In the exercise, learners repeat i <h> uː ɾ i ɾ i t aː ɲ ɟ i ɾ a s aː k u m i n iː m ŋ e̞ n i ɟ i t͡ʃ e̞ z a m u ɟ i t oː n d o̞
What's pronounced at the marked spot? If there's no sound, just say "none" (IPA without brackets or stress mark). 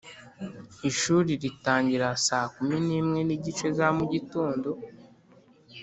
ʃ